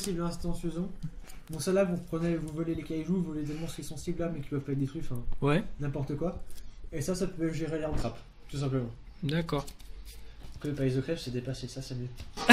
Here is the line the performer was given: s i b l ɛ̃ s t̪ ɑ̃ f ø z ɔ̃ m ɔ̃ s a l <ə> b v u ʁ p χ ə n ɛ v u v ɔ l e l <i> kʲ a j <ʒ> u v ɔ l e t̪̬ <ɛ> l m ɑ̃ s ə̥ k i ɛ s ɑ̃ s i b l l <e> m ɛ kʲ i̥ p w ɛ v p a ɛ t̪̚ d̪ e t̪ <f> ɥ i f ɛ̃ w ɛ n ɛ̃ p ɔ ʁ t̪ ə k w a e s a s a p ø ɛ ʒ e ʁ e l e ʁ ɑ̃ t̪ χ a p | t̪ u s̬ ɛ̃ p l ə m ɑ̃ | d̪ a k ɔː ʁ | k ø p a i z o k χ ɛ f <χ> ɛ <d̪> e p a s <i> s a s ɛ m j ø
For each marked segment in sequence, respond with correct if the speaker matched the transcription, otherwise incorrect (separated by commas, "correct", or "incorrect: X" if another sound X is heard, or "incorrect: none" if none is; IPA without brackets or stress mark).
incorrect: a, incorrect: e, correct, correct, incorrect: a, incorrect: χ, incorrect: s, correct, incorrect: e